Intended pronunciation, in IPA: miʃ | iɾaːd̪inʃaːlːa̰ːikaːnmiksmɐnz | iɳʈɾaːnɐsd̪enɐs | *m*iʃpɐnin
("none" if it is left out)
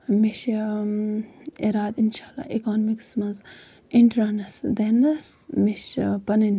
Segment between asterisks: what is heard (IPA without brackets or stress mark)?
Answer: m